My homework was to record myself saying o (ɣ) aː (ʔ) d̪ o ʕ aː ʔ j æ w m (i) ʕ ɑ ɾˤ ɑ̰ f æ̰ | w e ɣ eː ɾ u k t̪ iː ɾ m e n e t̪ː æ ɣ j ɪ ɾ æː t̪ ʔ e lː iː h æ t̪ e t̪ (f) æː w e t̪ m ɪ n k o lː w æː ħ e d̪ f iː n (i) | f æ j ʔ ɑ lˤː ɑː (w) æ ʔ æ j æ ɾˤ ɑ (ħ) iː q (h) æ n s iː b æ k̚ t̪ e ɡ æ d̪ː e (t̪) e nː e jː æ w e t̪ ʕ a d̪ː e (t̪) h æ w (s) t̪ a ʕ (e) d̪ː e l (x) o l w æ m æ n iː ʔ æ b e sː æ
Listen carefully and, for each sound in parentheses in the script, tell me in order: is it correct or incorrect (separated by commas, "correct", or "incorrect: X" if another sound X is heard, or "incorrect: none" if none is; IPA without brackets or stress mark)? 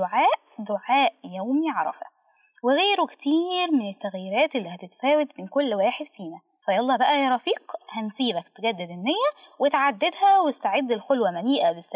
incorrect: ʕ, correct, correct, correct, incorrect: æ, incorrect: b, incorrect: f, correct, incorrect: d̪, incorrect: d̪, correct, correct, correct